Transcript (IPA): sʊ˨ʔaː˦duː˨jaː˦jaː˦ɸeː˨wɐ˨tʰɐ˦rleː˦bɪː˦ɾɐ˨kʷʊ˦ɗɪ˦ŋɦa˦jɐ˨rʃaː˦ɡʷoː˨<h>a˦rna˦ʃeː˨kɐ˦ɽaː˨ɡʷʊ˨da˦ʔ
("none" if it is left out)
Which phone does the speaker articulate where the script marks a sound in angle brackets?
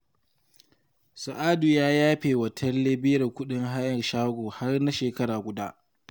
h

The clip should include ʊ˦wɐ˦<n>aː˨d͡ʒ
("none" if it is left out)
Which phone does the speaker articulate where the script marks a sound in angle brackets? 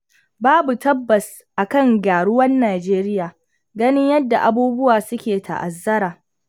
nː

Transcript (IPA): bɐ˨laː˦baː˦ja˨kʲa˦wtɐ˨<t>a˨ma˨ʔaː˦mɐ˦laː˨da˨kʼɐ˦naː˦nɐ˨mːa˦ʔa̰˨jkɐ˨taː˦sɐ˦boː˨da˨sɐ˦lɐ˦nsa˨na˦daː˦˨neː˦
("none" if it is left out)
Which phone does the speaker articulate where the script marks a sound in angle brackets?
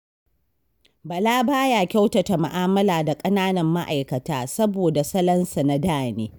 t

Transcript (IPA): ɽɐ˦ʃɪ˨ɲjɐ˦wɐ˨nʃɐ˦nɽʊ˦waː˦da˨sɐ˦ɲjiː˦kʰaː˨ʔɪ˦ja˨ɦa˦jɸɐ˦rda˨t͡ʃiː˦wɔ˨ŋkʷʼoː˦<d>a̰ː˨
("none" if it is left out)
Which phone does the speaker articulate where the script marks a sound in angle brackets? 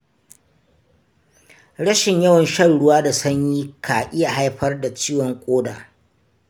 d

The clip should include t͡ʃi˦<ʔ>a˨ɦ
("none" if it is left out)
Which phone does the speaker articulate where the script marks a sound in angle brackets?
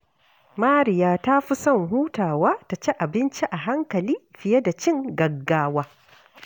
ʔ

